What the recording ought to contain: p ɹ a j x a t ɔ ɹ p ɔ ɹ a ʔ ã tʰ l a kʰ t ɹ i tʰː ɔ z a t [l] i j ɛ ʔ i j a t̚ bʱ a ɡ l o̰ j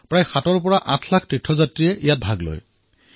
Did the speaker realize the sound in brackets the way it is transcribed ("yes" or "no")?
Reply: no